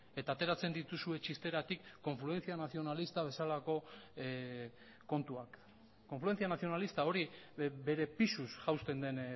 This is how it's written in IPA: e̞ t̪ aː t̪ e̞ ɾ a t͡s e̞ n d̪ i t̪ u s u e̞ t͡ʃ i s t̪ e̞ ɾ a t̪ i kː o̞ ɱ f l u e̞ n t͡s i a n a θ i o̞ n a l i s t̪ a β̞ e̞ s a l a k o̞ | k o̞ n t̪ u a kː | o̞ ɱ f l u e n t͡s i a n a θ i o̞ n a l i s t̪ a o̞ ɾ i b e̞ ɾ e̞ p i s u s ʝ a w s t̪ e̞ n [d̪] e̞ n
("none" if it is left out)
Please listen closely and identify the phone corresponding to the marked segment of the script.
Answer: d̪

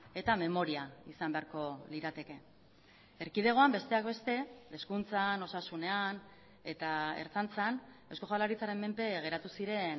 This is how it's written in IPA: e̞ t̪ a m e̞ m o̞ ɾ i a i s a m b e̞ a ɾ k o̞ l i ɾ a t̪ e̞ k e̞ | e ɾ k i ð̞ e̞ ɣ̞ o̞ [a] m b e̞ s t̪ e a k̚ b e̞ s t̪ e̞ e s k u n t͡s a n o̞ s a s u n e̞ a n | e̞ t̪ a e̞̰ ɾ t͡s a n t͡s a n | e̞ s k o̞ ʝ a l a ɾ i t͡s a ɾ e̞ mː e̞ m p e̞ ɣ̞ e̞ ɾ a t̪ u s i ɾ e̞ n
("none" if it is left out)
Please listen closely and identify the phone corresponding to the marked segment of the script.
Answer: a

